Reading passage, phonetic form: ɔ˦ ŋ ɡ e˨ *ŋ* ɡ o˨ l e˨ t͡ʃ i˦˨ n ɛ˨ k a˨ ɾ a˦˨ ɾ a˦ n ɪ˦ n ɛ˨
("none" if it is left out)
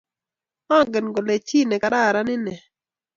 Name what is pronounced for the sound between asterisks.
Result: n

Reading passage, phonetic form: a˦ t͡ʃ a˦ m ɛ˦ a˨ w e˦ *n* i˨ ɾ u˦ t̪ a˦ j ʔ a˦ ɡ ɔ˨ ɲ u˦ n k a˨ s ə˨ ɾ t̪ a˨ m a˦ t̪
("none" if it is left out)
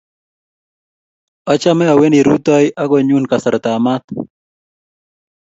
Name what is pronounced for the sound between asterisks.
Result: n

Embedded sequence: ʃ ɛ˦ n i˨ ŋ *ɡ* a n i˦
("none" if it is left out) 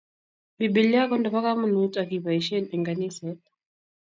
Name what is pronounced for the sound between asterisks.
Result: ɡ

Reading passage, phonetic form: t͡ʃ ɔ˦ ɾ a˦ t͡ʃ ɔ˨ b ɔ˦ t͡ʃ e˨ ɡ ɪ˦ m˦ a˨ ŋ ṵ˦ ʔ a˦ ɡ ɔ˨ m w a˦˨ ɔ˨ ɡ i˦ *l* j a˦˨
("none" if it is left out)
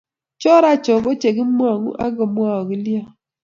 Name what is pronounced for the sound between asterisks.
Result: l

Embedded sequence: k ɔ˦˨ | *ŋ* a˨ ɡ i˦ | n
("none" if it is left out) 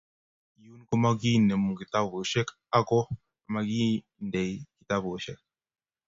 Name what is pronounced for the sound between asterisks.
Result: m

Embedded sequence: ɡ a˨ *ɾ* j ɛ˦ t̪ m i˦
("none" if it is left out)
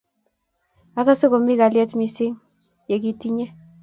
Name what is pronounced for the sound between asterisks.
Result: l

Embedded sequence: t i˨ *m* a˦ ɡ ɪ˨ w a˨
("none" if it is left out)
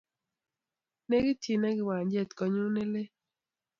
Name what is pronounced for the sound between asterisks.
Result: n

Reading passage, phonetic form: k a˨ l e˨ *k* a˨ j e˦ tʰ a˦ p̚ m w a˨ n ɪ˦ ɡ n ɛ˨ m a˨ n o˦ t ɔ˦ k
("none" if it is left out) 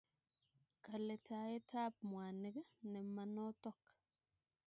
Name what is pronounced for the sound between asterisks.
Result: t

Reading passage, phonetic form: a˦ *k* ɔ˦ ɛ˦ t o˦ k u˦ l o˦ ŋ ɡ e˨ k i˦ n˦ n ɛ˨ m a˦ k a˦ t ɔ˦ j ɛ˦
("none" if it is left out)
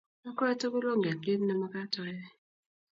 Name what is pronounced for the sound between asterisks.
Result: k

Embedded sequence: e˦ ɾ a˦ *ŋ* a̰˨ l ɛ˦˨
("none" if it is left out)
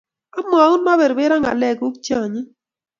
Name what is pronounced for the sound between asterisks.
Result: ŋ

